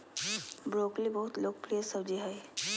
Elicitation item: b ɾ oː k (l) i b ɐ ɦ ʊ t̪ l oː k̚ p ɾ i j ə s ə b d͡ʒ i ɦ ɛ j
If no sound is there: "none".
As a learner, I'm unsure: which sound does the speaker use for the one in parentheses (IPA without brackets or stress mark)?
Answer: l